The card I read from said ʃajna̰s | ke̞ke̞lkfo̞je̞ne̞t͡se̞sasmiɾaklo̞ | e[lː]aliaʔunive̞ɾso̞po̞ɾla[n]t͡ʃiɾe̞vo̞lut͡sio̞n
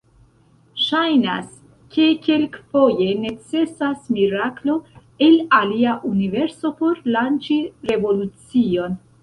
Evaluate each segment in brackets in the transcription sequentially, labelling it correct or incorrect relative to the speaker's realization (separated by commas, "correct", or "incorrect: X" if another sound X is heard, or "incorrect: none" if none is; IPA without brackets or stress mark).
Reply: incorrect: l, correct